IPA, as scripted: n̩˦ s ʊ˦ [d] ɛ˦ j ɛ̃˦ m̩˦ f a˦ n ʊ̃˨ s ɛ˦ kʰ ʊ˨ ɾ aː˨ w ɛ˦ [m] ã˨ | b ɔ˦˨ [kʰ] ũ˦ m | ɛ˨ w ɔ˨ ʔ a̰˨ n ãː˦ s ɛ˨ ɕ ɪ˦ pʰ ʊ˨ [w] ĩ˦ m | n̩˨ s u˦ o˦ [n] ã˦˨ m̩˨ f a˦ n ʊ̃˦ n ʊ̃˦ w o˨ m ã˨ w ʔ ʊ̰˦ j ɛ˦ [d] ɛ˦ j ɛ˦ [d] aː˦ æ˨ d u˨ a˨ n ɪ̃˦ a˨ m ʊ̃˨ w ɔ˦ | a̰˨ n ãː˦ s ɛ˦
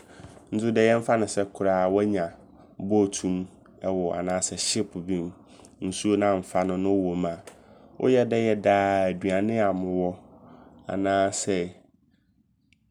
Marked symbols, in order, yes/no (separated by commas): yes, no, no, no, yes, yes, yes